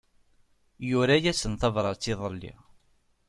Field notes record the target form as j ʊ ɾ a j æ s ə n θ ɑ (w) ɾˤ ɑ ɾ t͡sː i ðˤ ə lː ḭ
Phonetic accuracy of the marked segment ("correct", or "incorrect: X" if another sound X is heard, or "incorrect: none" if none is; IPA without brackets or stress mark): incorrect: v